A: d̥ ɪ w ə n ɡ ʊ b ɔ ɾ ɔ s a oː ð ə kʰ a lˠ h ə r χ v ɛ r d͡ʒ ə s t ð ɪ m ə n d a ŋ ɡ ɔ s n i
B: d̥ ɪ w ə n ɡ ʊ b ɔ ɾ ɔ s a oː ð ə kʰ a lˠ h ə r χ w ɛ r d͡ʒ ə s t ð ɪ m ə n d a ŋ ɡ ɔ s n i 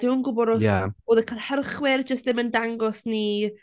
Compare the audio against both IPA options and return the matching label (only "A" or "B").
B